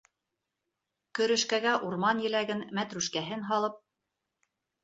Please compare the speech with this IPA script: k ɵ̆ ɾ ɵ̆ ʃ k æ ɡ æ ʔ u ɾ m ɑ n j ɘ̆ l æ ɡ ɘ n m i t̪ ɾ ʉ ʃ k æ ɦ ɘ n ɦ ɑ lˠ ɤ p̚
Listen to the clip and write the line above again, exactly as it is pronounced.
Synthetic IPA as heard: k ɵ̆ ɾ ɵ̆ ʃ k æ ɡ æ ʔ u ɾ m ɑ n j ɘ̆ l æ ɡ ɘ n m æ t̪ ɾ ʉ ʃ k æ ɦ ɘ n ɦ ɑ lˠ ɤ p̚